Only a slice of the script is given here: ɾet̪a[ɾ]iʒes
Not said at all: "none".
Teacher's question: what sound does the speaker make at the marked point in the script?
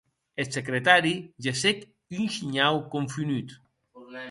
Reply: ɾ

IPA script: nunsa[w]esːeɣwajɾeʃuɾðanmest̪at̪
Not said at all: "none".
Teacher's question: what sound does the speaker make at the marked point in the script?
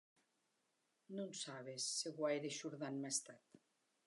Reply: β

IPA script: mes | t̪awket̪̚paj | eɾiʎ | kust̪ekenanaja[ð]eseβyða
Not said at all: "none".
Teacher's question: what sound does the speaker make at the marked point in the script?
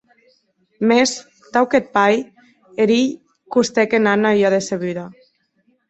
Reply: ð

